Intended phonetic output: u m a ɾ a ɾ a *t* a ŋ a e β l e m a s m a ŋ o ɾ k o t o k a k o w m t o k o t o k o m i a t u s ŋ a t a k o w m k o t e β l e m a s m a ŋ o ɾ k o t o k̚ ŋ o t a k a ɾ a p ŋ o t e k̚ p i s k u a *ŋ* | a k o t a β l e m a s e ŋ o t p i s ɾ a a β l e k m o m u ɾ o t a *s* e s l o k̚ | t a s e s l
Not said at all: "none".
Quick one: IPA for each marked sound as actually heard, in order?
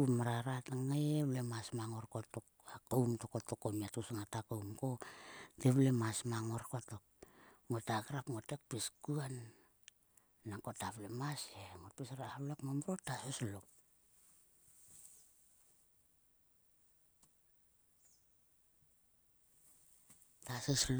t, n, s

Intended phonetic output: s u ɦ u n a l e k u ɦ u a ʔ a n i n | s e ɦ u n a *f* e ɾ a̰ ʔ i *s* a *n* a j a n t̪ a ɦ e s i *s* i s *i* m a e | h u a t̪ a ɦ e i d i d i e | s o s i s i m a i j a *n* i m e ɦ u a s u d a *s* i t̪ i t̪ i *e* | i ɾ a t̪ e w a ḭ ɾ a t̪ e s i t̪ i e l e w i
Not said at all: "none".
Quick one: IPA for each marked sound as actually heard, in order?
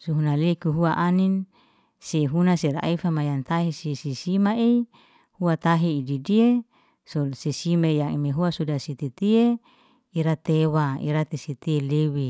s, f, m, s, i, ŋ, s, e

